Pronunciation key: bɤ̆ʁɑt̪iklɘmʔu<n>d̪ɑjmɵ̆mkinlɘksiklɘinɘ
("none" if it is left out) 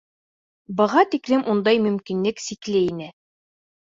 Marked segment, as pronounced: n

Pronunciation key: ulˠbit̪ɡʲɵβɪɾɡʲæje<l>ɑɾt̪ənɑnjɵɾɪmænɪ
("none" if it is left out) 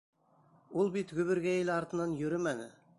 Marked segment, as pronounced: l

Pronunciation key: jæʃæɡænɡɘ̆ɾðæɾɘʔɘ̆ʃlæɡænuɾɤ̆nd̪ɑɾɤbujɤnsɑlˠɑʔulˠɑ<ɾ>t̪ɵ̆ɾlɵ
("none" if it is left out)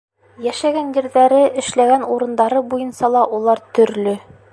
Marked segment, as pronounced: ɾ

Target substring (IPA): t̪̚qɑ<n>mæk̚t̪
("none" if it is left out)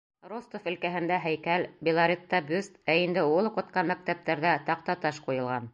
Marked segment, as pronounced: n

